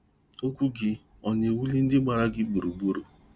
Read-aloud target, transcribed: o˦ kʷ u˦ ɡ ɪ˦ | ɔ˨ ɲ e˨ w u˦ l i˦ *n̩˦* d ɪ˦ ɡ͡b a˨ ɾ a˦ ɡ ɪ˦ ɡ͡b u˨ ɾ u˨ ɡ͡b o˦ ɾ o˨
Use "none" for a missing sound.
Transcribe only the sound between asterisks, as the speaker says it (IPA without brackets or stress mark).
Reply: n̩˦